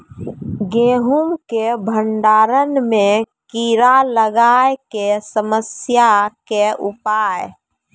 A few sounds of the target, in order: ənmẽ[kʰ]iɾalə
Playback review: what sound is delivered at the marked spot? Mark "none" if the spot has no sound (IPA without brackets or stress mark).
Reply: k